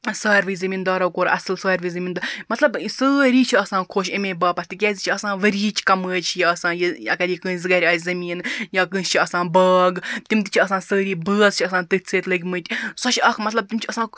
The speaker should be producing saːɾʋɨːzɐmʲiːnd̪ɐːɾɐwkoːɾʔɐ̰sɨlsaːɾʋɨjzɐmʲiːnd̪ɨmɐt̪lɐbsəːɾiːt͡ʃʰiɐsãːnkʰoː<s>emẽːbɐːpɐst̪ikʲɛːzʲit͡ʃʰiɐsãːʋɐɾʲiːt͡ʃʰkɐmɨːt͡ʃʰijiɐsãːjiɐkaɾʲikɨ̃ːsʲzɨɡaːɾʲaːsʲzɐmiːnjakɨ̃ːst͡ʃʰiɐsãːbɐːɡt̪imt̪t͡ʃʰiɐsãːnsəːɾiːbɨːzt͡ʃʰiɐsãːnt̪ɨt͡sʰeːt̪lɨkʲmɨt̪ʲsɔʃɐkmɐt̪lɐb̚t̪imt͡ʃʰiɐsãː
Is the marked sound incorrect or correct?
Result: incorrect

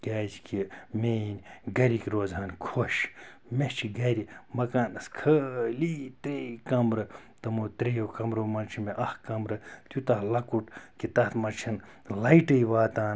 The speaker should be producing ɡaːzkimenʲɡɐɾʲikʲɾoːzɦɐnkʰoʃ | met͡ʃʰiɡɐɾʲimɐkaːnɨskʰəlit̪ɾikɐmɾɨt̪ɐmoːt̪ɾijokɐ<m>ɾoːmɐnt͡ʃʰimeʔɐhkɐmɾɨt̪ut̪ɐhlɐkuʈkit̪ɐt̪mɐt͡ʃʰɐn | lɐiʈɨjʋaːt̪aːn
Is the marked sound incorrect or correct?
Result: correct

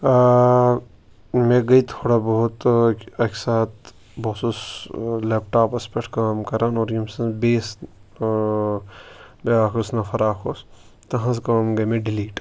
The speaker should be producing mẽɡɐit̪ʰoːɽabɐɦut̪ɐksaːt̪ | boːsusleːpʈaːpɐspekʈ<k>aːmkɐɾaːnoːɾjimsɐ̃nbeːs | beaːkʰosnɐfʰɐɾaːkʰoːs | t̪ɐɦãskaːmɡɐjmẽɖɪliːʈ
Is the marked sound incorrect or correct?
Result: correct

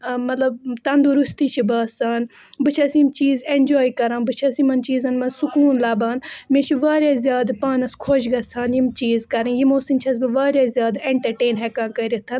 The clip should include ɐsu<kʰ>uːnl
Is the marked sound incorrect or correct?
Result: incorrect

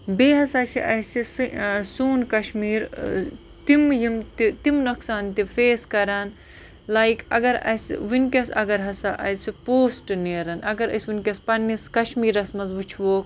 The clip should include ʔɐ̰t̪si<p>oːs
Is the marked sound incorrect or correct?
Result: correct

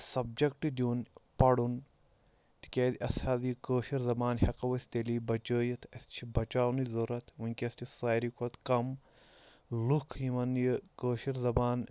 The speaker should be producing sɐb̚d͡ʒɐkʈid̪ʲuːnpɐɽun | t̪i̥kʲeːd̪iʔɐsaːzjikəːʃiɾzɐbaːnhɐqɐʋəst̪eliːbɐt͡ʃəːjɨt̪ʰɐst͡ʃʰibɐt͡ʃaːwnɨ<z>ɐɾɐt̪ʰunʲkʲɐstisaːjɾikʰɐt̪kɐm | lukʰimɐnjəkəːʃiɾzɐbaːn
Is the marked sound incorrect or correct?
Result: correct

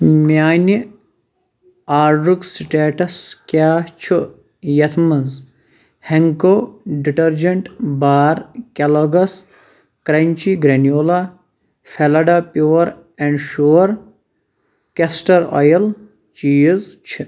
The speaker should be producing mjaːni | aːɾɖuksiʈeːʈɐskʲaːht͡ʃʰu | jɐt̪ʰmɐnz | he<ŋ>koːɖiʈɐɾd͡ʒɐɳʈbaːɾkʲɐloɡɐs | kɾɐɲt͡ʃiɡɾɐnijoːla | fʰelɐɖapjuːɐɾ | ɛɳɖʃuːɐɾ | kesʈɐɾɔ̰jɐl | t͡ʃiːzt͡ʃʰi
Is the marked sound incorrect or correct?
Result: correct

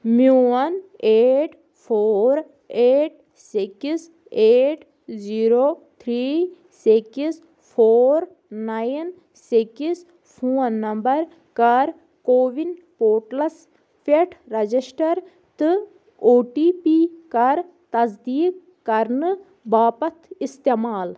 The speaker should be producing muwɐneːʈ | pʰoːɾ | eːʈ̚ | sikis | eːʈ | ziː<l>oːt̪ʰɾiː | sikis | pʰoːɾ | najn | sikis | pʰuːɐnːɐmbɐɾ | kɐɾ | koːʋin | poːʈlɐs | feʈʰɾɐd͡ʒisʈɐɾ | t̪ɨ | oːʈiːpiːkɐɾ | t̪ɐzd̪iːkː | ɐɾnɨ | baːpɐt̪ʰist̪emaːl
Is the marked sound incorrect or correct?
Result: incorrect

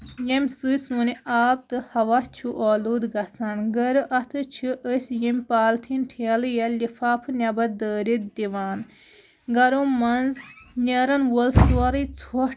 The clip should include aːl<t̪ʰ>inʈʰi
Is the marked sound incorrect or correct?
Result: correct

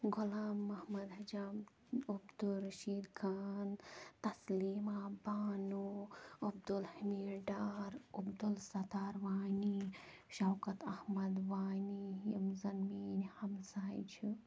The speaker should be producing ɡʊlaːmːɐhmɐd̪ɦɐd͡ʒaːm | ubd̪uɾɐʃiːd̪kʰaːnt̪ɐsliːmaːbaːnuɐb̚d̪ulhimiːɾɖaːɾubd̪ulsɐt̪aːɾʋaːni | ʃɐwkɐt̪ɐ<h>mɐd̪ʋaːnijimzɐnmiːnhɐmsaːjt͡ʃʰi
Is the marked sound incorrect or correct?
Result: correct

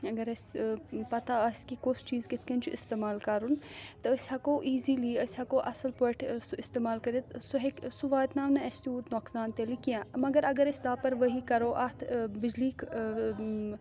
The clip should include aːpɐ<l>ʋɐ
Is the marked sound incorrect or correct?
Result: incorrect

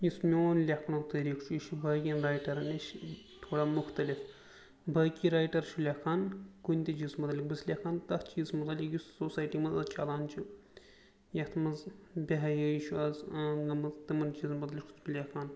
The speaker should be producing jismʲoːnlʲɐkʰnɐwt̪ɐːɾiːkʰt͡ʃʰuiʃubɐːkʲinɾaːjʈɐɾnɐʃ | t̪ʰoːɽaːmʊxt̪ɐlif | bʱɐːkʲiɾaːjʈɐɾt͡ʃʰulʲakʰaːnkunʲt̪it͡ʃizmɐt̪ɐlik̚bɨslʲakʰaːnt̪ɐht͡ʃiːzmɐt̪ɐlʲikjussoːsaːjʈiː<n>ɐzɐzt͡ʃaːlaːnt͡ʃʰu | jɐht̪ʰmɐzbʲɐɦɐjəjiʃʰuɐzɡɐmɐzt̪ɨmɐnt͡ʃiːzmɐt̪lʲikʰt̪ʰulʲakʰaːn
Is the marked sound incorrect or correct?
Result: incorrect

